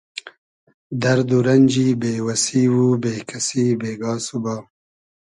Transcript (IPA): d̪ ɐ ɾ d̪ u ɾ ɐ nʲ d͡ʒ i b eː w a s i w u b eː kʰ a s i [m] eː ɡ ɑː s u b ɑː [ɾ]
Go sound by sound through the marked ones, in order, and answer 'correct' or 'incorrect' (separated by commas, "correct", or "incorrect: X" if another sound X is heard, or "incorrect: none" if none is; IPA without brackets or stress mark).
incorrect: b, incorrect: none